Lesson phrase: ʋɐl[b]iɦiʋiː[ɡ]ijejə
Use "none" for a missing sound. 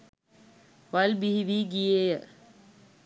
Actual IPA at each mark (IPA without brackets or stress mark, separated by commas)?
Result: b, ɡ